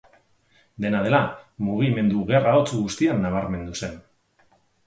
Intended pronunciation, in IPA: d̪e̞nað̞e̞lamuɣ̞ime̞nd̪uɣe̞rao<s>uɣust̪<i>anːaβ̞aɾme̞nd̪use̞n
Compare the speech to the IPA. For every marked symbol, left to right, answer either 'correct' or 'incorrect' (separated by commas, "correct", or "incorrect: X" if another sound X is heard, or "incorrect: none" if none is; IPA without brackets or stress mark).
incorrect: t͡s, correct